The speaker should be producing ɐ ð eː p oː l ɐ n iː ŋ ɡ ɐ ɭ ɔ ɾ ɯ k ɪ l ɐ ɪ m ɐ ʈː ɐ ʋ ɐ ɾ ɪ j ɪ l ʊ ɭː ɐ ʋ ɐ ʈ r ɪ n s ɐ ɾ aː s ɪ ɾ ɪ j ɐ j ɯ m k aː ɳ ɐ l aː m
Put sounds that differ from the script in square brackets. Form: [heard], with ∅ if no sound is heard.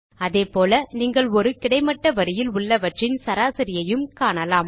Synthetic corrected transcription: ɐ ð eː p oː l ɐ n iː ŋ ɡ ɐ ɭ ɔ ɾ ɯ k ɪ [ɽ] ɐ ɪ m ɐ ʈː ɐ ʋ ɐ ɾ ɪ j ɪ l ʊ ɭː ɐ ʋ ɐ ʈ r ɪ n s ɐ ɾ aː s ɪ ɾ ɪ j ɐ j ɯ m k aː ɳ ɐ l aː m